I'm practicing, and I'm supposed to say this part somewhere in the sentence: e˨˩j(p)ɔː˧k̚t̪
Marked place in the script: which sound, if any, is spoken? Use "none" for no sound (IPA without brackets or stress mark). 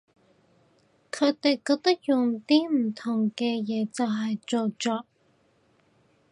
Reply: k